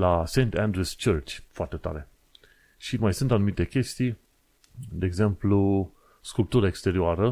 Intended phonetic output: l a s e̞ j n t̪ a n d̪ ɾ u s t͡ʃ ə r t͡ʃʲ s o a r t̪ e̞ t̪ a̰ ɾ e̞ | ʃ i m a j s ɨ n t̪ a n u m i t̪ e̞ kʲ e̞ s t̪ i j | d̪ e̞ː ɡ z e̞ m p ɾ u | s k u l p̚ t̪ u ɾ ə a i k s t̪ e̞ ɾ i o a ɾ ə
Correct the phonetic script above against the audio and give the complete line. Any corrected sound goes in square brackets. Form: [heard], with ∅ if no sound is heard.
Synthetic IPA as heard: l a s e̞ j n t̪ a n d̪ ɾ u s t͡ʃ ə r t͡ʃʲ [f] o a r t̪ e̞ t̪ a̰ ɾ e̞ | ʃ i m a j s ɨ n t̪ a n u m i t̪ e̞ kʲ e̞ s t̪ i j | d̪ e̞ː ɡ z e̞ m p [l] u | s k u l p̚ t̪ u ɾ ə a [e] k s t̪ e̞ ɾ i o a ɾ ə